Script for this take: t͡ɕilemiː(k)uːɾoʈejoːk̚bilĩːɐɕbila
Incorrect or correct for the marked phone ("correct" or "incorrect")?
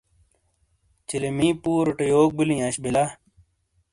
incorrect